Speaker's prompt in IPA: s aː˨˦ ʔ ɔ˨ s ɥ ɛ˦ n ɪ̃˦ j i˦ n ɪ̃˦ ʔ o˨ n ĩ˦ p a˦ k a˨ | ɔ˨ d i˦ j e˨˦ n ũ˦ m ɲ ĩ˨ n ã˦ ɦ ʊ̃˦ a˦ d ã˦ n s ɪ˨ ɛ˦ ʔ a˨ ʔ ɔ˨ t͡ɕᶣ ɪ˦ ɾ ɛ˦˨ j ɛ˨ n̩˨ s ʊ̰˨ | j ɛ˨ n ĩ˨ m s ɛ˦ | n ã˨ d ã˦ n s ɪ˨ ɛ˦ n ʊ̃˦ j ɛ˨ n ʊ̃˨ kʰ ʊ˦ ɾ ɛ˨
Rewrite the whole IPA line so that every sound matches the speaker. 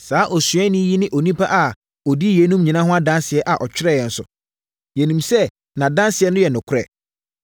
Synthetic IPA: s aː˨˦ ʔ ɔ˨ s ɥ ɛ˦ n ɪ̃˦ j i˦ n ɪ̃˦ ʔ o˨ n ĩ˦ p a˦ ʔ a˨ | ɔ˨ d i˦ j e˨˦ n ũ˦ m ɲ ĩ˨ n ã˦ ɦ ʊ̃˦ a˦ d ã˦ n s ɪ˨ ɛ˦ ʔ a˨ ʔ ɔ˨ t͡ɕᶣ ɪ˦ ɾ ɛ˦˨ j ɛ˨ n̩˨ s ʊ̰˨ | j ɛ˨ n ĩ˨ m s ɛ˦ | n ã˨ d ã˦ n s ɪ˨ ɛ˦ n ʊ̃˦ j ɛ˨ n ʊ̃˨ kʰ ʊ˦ ɾ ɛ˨